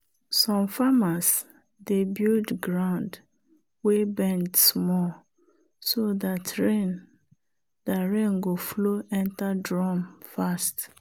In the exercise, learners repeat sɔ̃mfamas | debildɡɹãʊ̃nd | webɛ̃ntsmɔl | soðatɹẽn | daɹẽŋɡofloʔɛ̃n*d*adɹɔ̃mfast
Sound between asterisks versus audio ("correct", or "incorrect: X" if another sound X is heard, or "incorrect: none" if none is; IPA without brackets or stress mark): incorrect: t